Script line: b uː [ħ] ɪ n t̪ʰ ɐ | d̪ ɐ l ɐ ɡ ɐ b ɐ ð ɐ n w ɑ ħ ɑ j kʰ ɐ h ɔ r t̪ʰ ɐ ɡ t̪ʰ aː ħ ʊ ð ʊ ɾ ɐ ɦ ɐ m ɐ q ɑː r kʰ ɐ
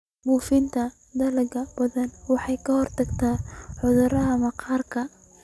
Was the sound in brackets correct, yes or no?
no